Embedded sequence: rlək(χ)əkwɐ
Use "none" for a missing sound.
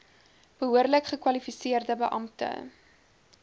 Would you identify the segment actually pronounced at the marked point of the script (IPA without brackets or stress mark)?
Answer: χ